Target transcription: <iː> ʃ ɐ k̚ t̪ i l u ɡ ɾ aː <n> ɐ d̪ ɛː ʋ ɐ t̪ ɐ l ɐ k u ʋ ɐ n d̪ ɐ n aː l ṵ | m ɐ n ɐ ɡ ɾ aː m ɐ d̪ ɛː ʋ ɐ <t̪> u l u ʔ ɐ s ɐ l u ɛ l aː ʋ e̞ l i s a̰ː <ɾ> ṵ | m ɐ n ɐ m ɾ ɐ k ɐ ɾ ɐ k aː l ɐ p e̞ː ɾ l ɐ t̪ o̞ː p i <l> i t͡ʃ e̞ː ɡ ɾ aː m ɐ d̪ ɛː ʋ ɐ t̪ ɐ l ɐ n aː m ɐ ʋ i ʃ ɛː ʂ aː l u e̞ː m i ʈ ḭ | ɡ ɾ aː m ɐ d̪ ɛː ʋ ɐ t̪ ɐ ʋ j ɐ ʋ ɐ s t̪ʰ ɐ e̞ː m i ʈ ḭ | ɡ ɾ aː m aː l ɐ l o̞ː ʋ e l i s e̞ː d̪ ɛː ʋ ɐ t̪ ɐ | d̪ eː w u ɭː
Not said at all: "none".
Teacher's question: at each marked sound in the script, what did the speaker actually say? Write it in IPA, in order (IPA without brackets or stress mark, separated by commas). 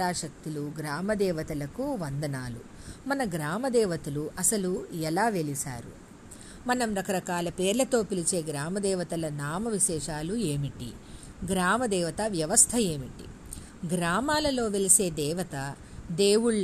aː, m, t̪, ɾ, l